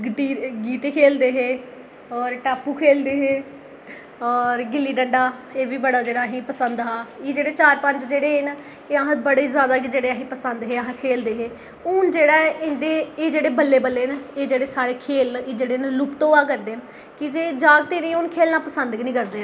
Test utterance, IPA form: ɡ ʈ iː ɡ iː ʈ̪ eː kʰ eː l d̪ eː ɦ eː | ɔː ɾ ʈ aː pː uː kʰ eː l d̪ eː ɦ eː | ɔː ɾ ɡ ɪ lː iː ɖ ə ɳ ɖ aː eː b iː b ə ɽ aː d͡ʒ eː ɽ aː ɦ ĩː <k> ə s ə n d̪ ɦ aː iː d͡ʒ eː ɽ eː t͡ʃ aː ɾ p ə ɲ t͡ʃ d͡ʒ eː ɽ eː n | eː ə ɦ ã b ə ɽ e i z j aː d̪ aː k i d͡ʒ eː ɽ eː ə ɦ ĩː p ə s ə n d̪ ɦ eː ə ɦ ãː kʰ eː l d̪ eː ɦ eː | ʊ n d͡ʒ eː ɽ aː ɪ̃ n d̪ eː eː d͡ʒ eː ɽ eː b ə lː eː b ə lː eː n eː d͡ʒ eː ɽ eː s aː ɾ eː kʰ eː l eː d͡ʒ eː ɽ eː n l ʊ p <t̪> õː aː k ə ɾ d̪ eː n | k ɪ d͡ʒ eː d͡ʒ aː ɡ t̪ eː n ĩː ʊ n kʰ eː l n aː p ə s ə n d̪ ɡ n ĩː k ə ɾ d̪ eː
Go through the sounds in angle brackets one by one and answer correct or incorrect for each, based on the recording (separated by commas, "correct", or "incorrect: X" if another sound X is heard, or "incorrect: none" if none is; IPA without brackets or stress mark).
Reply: incorrect: p, correct